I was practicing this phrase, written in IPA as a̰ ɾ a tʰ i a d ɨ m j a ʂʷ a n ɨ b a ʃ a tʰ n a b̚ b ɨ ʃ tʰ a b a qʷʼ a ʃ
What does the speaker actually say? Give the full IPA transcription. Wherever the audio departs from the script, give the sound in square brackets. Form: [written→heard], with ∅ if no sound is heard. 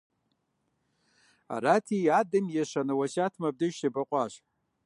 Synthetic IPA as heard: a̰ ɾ a tʰ i a d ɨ m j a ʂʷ a n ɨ [b→w] a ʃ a tʰ [n→m] a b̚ [b→d] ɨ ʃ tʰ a b a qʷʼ a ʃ